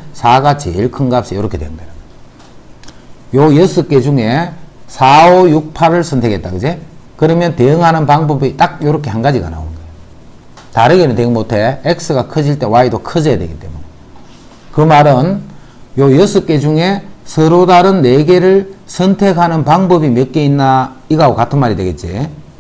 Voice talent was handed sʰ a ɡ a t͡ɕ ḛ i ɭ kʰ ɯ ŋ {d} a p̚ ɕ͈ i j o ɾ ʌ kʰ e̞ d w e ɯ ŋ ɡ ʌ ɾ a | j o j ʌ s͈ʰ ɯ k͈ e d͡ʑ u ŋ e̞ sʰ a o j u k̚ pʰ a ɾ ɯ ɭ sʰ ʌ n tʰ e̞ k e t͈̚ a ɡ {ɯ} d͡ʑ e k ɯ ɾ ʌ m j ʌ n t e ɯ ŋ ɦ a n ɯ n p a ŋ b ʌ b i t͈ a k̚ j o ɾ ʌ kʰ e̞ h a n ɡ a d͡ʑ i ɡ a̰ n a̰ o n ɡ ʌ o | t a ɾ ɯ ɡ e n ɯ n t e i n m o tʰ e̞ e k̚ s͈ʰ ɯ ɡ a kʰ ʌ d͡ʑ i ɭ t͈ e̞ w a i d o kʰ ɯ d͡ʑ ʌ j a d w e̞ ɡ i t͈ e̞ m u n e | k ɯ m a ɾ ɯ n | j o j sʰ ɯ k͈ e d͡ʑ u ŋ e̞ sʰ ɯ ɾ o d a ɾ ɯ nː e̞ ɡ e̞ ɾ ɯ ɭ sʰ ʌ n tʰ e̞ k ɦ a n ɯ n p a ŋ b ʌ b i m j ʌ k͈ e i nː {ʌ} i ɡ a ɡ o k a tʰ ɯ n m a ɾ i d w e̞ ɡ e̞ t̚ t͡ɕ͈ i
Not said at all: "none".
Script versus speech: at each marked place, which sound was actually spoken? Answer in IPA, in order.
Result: ɡ, ɯ, a

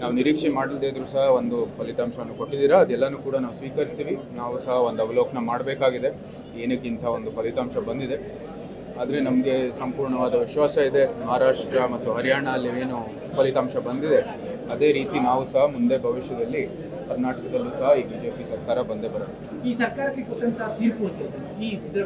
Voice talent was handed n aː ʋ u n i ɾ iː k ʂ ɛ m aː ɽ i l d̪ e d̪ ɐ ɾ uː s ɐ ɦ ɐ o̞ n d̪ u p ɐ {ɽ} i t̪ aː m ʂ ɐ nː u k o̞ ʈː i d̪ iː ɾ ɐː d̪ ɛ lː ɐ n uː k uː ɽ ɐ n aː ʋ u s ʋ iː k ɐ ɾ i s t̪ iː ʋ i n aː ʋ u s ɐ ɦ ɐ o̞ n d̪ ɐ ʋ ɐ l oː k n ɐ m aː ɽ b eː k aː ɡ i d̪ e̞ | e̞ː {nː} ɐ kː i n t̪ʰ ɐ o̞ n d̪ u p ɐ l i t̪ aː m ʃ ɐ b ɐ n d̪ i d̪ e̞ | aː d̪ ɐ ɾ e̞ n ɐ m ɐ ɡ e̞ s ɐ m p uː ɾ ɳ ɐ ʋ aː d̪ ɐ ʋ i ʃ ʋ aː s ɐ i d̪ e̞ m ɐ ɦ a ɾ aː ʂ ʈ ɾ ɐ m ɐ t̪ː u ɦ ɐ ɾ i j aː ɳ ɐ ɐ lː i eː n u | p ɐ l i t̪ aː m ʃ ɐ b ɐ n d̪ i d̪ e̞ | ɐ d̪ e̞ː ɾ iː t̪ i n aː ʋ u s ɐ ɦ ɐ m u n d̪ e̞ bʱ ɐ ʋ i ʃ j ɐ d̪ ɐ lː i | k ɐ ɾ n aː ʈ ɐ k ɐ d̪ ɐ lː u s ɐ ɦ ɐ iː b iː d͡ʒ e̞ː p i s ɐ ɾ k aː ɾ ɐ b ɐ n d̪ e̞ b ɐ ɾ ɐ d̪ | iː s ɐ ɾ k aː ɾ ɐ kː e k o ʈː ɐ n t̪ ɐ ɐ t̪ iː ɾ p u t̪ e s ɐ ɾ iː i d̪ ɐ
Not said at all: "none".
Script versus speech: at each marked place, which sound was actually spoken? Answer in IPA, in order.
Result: l, n

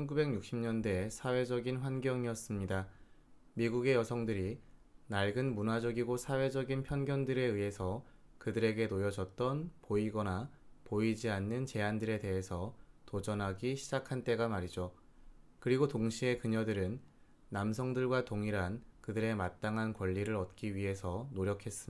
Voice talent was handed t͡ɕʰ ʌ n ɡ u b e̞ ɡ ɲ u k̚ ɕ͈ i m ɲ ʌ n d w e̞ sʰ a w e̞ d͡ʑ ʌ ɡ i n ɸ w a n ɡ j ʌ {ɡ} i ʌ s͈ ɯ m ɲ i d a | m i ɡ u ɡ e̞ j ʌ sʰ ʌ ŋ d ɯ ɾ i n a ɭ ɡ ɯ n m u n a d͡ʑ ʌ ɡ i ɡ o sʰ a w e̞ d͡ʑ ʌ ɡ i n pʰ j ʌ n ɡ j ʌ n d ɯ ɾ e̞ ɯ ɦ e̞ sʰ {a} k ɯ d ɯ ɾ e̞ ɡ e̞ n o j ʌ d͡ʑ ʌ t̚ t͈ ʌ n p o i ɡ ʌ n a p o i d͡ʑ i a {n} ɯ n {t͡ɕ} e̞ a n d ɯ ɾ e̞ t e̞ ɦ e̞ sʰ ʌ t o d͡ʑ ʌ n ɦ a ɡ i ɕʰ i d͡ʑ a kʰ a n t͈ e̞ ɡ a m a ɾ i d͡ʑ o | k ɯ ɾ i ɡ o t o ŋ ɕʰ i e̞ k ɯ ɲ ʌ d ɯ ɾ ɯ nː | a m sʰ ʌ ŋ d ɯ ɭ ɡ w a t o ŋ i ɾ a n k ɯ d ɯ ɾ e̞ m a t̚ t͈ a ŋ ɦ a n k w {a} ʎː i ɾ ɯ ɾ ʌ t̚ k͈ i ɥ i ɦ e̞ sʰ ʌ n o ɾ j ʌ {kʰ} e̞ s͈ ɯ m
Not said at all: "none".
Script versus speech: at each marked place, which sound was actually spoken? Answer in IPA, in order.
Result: ŋ, ʌ, nː, t͡ɕ, ʌ, kʰ

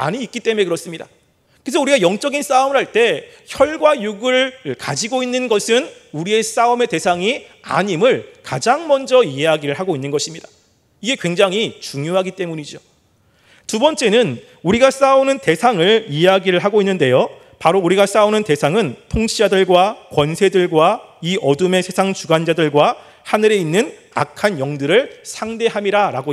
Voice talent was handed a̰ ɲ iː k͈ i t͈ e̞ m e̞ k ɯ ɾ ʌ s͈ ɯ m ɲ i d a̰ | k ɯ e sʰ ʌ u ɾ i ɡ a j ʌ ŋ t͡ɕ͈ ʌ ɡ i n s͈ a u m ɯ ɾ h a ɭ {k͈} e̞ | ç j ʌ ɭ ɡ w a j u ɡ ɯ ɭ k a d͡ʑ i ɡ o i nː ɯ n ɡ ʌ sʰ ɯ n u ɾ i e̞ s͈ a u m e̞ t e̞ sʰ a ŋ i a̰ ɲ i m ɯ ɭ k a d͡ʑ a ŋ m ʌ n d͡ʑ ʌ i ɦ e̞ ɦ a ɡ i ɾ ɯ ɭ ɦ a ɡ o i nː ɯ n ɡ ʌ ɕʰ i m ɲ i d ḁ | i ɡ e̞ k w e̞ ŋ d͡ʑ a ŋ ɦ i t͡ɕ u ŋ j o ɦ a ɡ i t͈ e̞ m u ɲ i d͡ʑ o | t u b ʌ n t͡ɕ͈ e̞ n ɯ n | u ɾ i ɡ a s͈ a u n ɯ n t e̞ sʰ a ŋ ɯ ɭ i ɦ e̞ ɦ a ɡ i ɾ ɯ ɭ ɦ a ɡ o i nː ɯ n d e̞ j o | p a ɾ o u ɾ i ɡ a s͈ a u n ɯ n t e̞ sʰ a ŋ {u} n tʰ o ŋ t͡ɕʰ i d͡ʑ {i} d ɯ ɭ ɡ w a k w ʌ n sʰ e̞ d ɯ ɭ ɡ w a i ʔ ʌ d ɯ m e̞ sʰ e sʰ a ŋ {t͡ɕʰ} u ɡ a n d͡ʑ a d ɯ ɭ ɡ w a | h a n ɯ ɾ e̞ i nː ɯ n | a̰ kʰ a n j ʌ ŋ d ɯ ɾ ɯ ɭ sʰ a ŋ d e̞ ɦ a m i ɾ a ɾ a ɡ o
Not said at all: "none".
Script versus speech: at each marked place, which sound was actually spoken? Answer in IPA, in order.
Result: t͈, ɯ, a, t͡ɕ

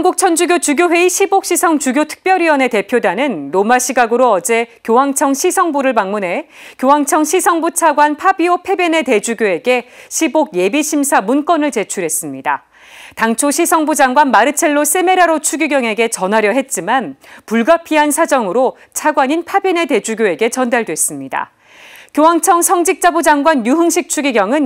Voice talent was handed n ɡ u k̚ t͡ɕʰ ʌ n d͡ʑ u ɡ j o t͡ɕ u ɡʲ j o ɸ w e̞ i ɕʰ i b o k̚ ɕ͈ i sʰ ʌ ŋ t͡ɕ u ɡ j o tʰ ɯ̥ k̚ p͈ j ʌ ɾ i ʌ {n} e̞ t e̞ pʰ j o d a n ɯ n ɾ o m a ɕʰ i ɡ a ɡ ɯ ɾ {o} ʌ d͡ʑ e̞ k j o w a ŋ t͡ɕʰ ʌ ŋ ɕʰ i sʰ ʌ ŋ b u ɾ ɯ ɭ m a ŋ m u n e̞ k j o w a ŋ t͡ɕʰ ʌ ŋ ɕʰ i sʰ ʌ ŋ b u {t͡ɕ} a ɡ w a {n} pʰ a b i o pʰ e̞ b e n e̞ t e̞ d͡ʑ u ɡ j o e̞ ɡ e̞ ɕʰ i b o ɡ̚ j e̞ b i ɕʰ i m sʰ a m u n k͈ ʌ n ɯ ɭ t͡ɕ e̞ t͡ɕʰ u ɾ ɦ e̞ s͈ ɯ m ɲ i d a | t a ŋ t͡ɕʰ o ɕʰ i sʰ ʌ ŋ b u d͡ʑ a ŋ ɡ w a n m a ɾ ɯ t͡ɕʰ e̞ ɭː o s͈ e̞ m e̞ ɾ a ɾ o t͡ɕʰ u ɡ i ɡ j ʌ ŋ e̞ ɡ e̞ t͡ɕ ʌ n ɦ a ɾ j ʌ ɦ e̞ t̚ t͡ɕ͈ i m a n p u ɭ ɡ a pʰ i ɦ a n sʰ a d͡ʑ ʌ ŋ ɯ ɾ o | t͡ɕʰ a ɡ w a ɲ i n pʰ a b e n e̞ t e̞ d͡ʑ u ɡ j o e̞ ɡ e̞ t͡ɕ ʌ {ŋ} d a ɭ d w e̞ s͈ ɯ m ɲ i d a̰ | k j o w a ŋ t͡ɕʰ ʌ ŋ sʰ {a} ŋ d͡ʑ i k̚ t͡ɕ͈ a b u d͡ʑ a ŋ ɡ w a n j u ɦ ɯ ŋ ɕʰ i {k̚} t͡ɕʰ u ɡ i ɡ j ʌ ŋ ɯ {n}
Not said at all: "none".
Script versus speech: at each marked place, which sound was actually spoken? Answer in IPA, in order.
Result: n, o, t͡ɕʰ, n, n, ʌ, k̚, n

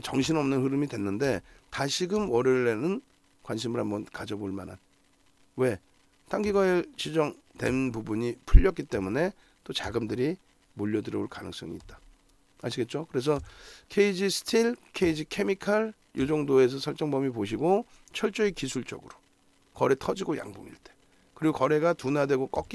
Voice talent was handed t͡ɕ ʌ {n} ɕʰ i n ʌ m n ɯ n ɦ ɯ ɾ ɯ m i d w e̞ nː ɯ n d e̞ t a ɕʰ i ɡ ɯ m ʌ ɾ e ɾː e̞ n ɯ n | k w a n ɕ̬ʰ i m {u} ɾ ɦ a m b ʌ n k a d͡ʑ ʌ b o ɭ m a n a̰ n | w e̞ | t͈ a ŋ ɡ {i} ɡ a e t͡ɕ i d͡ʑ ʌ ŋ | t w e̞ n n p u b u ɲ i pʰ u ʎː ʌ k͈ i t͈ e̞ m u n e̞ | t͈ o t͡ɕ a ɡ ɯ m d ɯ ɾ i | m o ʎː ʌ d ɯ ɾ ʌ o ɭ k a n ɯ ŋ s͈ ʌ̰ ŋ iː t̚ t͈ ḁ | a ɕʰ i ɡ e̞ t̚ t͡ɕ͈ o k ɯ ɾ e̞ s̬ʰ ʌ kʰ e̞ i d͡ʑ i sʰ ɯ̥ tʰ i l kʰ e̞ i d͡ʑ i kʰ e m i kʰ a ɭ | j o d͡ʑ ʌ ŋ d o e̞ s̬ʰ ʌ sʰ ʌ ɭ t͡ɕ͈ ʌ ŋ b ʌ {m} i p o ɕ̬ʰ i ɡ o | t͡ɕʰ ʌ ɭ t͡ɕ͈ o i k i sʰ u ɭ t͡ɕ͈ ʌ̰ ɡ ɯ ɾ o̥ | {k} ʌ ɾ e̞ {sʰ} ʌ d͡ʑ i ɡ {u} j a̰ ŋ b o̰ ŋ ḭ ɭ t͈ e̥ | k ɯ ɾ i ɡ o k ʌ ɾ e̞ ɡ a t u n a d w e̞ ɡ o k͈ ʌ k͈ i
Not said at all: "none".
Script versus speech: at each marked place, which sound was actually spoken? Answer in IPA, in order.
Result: ŋ, ɯ, i, m, k, tʰ, o

